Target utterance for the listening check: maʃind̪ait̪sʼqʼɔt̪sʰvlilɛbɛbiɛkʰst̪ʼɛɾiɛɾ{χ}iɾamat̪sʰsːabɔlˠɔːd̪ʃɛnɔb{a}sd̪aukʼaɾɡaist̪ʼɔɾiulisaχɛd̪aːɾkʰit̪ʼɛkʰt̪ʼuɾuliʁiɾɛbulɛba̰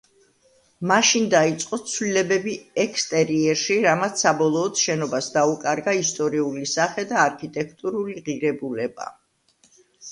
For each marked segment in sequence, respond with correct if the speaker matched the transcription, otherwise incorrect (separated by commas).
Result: incorrect, correct